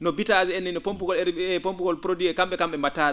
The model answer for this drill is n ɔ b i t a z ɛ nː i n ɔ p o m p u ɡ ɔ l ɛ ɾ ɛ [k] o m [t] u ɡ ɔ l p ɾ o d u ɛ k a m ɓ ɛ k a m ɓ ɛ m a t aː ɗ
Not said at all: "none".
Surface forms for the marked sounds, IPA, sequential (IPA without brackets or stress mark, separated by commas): p, p